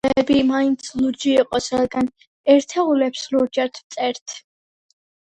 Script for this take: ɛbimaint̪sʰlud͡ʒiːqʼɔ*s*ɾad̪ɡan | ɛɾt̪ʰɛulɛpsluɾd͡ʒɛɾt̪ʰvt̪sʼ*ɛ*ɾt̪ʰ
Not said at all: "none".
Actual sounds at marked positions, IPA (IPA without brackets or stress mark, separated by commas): s, ɛ